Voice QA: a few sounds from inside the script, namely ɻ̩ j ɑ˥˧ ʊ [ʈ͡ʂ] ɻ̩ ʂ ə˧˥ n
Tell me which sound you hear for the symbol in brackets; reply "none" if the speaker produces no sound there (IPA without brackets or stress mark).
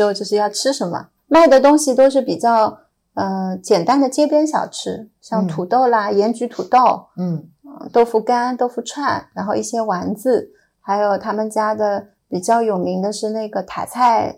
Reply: ʈ͡ʂʰ